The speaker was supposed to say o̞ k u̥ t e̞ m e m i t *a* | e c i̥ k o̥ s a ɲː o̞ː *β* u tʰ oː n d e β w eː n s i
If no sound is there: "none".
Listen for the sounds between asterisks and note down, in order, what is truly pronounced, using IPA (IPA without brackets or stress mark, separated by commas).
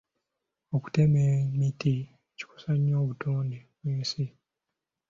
i, β